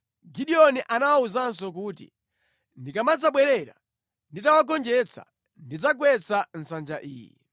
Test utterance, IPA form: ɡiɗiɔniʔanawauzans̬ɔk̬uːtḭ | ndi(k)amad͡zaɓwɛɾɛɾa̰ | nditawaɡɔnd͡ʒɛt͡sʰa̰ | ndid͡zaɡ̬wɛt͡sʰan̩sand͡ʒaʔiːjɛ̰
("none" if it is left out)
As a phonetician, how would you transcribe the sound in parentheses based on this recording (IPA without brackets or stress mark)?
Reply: k